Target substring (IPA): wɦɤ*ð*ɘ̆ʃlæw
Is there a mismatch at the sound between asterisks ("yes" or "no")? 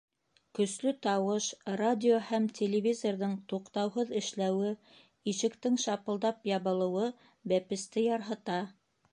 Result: no